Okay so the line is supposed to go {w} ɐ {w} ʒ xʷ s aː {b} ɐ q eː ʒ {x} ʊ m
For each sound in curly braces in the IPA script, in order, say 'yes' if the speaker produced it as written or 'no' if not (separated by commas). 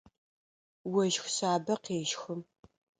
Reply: yes, no, yes, yes